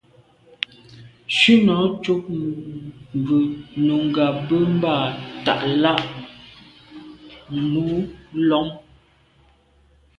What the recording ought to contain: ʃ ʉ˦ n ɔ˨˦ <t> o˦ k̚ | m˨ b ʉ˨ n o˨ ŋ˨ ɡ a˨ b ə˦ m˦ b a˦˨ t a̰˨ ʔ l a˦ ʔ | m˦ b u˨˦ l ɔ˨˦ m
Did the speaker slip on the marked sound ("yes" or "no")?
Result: yes